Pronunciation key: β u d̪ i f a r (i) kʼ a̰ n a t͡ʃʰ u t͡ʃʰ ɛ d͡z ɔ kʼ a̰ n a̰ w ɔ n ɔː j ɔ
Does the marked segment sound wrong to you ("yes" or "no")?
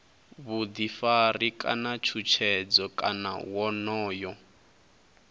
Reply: no